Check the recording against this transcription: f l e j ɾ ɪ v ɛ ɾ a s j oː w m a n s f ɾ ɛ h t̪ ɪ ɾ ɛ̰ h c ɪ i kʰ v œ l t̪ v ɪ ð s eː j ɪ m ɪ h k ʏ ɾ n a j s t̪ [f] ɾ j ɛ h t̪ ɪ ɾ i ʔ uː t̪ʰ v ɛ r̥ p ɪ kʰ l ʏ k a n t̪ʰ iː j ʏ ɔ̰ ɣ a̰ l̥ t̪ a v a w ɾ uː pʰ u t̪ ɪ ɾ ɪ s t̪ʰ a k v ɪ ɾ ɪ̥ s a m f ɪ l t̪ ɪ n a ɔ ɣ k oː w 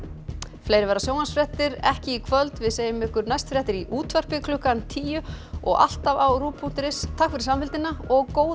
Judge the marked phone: correct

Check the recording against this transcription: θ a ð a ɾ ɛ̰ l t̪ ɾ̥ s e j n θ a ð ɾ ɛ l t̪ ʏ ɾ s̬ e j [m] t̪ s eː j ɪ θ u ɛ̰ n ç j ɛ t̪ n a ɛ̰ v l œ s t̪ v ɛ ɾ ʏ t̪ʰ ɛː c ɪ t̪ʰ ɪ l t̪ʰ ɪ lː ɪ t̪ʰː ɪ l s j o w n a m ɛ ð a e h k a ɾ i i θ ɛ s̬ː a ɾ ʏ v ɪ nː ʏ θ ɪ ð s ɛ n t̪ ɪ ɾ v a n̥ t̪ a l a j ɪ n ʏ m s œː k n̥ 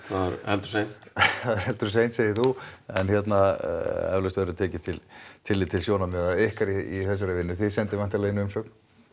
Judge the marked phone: incorrect: n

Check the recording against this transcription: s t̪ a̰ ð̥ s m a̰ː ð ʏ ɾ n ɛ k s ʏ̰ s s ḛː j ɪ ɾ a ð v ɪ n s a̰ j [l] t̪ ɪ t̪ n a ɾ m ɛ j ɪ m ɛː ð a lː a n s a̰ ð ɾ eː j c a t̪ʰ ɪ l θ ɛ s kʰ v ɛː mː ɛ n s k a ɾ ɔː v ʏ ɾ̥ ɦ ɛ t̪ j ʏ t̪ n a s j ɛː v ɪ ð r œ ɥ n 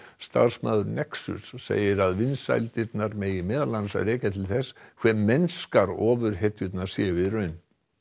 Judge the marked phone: correct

